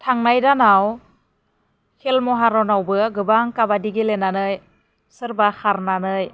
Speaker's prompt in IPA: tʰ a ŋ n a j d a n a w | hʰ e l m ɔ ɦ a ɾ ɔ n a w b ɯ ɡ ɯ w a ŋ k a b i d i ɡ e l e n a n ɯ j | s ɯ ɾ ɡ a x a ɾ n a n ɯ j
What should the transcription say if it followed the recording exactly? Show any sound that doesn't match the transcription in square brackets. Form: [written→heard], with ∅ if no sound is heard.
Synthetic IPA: tʰ a ŋ n a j d a n a w | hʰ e l m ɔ ɦ a ɾ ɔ n a w b ɯ ɡ ɯ [w→b] a ŋ k a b [i→a] d i ɡ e l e n a n ɯ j | s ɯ ɾ [ɡ→b] a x a ɾ n a n ɯ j